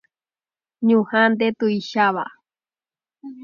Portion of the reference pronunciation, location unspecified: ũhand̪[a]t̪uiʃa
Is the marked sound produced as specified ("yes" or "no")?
no